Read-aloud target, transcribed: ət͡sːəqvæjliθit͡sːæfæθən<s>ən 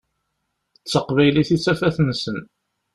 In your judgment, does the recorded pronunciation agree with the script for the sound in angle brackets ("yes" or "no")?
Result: yes